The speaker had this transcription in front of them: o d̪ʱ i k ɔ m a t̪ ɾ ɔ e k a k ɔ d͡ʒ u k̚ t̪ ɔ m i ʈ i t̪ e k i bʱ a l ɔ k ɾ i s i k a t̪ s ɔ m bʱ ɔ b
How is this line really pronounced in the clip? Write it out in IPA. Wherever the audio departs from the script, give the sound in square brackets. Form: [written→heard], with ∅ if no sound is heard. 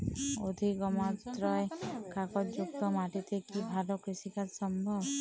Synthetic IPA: o d̪ʱ i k ɔ m a t̪ ɾ ɔ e k a k ɔ d͡ʒ u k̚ t̪ ɔ m [i→a] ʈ i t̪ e k i bʱ a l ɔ k ɾ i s i k a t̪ s ɔ m bʱ ɔ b